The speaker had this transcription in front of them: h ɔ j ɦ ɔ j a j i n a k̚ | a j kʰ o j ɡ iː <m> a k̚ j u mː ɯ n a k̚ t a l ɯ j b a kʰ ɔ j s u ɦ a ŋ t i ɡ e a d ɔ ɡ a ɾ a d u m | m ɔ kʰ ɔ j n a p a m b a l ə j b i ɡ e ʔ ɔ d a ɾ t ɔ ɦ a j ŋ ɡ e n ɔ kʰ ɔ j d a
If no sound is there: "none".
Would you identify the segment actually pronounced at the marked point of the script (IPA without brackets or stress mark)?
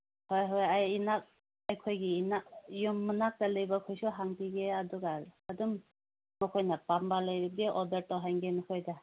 n